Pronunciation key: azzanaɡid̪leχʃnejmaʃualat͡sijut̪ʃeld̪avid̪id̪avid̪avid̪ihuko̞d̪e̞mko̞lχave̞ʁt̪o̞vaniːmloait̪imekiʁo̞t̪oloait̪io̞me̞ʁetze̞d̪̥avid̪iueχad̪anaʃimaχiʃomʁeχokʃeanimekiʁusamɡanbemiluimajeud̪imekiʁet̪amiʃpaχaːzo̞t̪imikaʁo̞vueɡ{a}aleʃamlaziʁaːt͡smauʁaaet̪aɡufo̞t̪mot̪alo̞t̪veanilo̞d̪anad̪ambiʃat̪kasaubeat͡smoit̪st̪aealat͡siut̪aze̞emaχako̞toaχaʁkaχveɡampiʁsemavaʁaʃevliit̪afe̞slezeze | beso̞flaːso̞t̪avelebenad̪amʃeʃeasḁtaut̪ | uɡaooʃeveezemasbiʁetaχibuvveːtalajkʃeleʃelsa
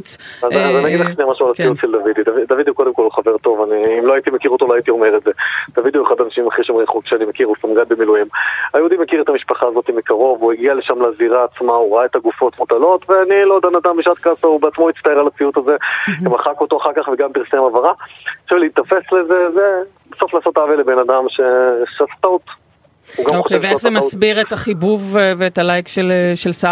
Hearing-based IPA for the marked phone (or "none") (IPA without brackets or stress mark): i